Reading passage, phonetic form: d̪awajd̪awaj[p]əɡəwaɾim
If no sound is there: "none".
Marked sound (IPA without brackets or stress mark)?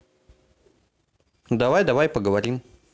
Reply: p